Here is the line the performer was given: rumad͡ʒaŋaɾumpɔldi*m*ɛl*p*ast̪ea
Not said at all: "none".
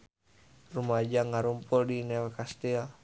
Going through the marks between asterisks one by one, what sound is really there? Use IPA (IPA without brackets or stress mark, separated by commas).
n, k